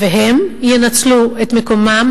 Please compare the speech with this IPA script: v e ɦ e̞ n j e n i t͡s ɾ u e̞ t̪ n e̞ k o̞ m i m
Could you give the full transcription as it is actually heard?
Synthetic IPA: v e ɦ e̞ m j e n a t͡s l u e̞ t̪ m e̞ k o̞ m a m